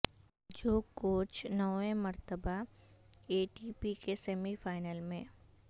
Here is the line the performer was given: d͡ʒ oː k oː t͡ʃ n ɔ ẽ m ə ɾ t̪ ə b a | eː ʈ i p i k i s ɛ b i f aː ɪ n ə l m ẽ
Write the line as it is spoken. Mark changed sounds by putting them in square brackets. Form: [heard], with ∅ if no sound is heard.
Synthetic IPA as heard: d͡ʒ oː k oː t͡ʃ n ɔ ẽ m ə ɾ t̪ ə b a | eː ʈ i p i k [e] s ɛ [m] i f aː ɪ n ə l m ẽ